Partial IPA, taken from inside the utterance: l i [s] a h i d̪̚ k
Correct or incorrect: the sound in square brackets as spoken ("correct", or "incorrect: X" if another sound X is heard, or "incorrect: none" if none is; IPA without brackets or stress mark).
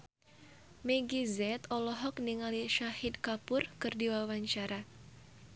incorrect: ʃ